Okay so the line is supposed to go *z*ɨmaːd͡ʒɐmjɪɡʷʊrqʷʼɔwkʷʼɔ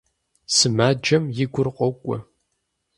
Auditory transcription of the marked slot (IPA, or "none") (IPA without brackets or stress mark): s